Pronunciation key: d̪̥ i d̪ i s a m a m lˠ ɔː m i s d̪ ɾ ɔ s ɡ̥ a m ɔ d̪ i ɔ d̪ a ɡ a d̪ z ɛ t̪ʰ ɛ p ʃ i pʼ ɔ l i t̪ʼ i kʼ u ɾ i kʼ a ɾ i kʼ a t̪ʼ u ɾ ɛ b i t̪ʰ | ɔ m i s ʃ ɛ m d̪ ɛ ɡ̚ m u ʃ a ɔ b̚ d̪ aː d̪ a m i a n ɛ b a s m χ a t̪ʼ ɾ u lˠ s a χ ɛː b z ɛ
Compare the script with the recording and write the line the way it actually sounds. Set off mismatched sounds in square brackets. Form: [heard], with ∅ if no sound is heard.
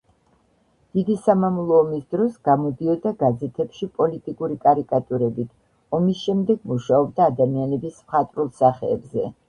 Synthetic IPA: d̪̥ i d̪ i s a m a m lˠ ɔː m i s d̪ ɾ ɔ s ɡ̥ a m ɔ d̪ i ɔ d̪ a ɡ a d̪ z ɛ t̪ʰ ɛ p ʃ i pʼ ɔ l i t̪ʼ i kʼ u ɾ i kʼ a ɾ i kʼ a t̪ʼ u ɾ ɛ b i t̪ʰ | ɔ m i s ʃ ɛ m d̪ ɛ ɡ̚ m u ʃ a ɔ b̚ d̪ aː d̪ a m i a n ɛ b [i] s m χ a t̪ʼ ɾ u lˠ s a χ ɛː b z ɛ